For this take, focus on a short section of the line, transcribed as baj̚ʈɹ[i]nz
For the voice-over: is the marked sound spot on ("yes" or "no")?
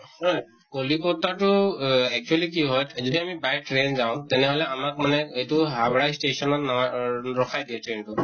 no